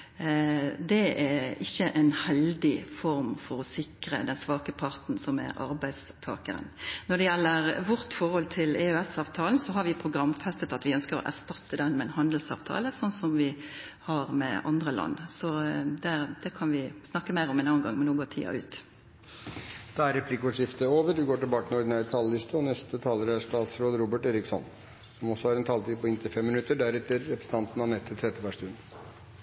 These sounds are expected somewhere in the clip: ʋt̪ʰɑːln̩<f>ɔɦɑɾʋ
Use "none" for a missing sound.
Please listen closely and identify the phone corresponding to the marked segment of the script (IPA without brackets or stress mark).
s